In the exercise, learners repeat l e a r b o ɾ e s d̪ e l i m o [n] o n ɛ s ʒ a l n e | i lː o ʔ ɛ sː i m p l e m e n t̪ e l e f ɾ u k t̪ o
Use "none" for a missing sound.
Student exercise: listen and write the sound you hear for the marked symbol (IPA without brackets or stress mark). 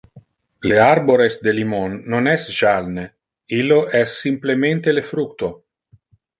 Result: nː